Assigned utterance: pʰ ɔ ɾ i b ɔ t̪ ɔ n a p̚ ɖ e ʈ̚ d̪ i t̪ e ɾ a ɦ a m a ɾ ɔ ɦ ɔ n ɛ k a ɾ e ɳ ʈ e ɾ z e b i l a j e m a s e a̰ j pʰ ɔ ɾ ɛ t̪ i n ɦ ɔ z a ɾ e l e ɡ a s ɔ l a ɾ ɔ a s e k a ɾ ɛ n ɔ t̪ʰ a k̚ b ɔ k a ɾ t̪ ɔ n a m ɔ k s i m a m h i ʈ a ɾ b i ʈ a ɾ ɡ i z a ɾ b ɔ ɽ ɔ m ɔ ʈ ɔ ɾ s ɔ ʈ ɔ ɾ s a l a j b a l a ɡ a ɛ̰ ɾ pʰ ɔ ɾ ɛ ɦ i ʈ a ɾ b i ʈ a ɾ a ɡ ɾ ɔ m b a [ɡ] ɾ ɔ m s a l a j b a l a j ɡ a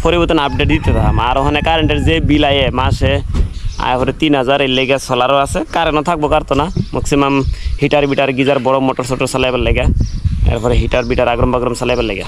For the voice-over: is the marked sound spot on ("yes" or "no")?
yes